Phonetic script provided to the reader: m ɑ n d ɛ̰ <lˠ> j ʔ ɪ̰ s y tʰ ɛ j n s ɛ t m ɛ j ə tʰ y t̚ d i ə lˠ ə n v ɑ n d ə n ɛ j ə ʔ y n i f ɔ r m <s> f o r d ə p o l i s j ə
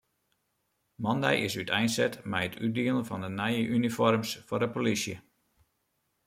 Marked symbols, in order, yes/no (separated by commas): no, yes